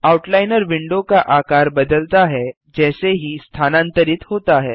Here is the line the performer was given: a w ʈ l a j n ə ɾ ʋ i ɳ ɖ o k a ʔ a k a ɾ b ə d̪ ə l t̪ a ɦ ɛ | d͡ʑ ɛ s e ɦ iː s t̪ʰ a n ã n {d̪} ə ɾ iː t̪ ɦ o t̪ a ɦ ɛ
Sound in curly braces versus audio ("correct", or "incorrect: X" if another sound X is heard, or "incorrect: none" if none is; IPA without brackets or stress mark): incorrect: t̪